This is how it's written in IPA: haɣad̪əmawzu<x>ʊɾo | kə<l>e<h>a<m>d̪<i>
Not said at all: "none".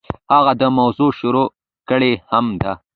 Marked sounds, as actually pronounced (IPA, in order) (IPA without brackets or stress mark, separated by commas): ʃ, ɽ, h, m, a